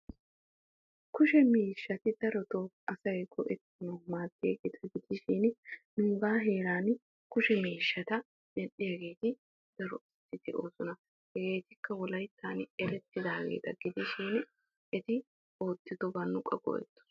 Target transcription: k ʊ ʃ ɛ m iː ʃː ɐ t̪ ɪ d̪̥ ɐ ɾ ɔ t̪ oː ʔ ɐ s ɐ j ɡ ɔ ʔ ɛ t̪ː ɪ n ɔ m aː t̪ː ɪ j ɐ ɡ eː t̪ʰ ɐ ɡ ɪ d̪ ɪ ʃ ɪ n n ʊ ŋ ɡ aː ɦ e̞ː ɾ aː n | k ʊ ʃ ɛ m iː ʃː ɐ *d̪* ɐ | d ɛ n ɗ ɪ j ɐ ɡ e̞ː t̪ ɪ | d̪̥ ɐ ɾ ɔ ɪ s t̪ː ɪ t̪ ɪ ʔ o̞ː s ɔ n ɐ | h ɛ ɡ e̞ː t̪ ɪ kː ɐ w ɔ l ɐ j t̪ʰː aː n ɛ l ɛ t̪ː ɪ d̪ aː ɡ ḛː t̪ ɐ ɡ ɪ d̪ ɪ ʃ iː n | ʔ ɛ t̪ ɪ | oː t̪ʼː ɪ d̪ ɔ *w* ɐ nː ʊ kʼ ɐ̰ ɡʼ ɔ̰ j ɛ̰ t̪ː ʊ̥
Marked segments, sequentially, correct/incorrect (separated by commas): incorrect, incorrect